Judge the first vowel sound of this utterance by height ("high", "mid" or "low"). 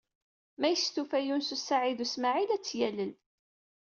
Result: low